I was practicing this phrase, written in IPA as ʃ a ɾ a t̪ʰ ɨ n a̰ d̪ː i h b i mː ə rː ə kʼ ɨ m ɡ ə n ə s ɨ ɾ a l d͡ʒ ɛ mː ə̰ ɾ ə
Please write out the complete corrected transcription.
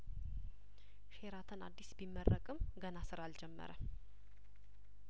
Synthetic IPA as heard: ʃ e ɾ a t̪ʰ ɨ n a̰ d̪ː i s b i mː ə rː ə kʼ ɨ m ɡ ə n a s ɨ ɾ a l d͡ʒ ɛ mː ə̰ ɾ ə